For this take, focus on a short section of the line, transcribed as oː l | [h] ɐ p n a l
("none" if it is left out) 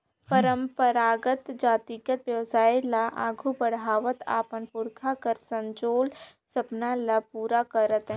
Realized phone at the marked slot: s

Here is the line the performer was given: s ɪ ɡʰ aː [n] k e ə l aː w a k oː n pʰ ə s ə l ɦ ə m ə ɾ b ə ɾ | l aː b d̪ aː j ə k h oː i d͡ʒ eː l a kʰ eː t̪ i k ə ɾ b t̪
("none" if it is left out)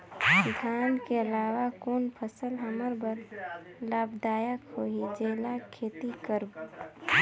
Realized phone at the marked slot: n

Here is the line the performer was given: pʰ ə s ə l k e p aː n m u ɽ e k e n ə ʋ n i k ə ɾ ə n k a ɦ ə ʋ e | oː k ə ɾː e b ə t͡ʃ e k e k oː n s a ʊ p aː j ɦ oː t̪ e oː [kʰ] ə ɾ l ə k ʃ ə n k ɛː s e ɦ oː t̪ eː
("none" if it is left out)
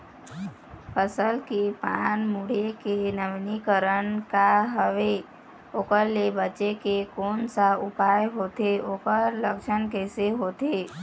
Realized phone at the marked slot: k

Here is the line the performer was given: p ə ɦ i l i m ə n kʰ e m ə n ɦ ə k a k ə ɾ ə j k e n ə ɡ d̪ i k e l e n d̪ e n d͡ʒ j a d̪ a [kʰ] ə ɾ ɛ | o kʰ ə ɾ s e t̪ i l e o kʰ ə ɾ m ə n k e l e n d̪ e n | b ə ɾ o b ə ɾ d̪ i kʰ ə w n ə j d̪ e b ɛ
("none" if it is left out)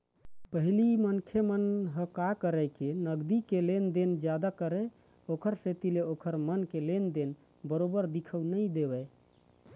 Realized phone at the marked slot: k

